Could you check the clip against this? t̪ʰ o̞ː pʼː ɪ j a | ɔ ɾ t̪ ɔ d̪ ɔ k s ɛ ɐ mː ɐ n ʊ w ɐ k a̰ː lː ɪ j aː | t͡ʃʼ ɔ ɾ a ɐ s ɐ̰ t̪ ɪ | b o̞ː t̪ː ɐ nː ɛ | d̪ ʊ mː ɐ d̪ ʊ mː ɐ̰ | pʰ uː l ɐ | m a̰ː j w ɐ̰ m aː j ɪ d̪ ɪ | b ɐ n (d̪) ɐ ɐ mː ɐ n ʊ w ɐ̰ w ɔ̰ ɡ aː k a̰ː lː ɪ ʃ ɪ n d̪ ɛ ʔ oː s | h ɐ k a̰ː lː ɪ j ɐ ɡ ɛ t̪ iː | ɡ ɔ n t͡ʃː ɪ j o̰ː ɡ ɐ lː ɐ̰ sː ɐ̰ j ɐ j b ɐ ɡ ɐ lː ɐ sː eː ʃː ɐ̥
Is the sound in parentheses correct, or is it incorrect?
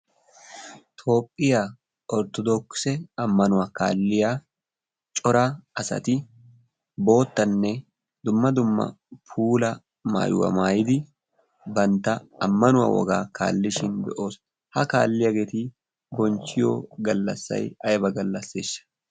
incorrect